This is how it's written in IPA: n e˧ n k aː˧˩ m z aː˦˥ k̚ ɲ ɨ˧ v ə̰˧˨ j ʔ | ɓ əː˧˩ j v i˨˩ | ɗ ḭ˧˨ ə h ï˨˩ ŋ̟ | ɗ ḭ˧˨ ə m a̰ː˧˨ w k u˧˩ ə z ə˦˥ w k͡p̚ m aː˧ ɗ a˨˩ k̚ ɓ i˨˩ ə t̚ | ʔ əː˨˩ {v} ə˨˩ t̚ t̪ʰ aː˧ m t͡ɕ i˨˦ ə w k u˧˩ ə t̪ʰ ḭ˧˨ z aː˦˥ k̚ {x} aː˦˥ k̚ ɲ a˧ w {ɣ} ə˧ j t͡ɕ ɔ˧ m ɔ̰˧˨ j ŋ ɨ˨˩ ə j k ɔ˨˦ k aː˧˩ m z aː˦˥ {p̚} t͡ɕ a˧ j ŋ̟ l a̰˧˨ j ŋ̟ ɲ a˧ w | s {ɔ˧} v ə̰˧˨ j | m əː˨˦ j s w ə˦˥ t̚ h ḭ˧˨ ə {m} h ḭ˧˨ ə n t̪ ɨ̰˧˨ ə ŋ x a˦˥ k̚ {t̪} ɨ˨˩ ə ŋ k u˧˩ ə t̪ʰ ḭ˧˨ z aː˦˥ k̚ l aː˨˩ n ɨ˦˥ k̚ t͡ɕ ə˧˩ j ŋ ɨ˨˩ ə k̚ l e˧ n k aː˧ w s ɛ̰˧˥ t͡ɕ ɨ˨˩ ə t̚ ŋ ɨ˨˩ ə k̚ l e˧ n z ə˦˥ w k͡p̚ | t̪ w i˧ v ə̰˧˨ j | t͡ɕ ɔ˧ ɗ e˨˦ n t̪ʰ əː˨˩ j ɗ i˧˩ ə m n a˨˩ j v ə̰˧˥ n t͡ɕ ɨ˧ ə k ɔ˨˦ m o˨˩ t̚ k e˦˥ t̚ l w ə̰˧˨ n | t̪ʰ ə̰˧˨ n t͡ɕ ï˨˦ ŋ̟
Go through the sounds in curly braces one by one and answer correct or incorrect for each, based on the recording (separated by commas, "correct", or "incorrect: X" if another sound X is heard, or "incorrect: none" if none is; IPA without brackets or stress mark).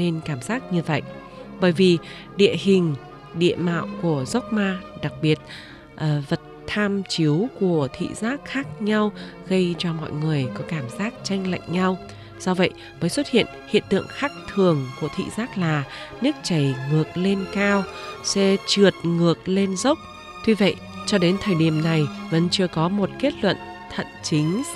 correct, correct, correct, incorrect: k̚, correct, incorrect: n, incorrect: t̪ʰ